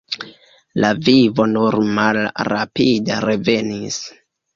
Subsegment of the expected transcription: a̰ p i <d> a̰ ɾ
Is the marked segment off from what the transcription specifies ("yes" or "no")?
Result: no